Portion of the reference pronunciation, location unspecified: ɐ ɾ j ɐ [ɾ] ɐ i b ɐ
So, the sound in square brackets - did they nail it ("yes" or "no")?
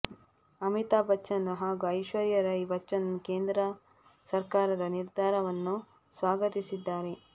yes